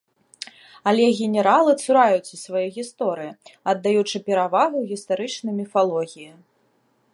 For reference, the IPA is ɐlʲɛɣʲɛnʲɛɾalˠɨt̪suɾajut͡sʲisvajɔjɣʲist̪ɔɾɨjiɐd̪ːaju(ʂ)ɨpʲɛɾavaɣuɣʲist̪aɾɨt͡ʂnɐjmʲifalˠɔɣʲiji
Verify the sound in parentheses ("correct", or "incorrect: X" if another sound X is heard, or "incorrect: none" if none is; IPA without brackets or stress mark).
incorrect: t͡ʂ